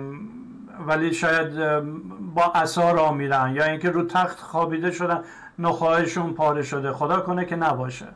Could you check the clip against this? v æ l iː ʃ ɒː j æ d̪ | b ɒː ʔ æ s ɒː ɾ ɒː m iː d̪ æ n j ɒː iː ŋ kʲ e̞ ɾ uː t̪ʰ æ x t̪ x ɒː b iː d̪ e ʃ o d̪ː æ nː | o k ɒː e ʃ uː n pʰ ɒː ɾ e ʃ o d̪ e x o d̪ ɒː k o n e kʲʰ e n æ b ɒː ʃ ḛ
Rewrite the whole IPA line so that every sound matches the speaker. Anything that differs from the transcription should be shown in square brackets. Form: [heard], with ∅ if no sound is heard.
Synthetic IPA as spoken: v æ l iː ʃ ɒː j æ d̪ | b ɒː ʔ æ s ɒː ɾ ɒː m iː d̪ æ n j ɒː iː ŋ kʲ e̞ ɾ uː t̪ʰ æ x t̪ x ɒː b iː d̪ e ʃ o [d̪] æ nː | o [x] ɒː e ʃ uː n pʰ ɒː ɾ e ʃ o d̪ e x o d̪ ɒː k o n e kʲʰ e n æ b ɒː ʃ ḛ